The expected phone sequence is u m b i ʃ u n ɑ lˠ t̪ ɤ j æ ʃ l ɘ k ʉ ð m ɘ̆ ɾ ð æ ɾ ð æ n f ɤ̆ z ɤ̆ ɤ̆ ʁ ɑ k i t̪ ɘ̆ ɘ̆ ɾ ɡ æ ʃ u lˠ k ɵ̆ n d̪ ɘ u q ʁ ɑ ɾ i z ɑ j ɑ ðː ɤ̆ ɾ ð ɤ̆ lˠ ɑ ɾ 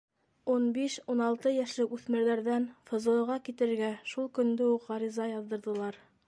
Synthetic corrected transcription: u n b i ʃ u n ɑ lˠ t̪ ɤ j æ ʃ l ɘ k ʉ θ m ɘ̆ ɾ ð æ ɾ ð æ n f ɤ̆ z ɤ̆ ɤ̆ ʁ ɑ k i t̪ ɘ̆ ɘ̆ ɾ ɡ æ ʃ u lˠ k ɵ̆ n d̪ ɘ u q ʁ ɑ ɾ i z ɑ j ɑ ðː ɤ̆ ɾ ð ɤ̆ lˠ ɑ ɾ